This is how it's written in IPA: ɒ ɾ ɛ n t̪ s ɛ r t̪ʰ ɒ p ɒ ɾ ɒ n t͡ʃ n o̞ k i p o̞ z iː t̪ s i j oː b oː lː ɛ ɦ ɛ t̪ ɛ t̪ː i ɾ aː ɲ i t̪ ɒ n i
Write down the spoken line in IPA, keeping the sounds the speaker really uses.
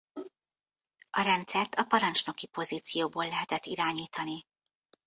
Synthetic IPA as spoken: ɒ ɾ ɛ n t̪ s ɛ r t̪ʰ ɒ p ɒ ɾ ɒ n t͡ʃ n o̞ k i p o̞ z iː t̪ s i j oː b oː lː ɛ ɦ ɛ t̪ ɛ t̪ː i ɾ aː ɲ iː t̪ ɒ n i